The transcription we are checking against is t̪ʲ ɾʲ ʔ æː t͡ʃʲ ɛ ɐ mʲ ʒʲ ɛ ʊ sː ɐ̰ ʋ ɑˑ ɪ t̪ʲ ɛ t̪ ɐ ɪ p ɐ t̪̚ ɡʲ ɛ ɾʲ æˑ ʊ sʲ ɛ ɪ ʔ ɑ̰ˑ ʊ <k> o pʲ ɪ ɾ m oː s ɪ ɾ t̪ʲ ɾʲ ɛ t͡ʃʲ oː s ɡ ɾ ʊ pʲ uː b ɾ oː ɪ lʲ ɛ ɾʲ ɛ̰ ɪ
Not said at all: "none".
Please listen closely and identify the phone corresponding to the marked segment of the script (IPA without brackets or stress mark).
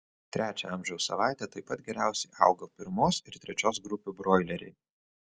ɡ